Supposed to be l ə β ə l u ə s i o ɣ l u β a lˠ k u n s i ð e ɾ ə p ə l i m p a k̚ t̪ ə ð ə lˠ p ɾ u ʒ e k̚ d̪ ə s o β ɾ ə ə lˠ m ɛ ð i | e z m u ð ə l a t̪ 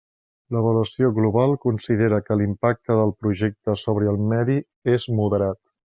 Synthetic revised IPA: l ə β ə l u ə s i o ɣ l u β a lˠ k u n s i ð e ɾ ə k ə l i m p a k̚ t̪ ə ð ə lˠ p ɾ u ʒ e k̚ t̪ ə s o β ɾ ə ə lˠ m ɛ ð i | e z m u ð ə ɾ a t̪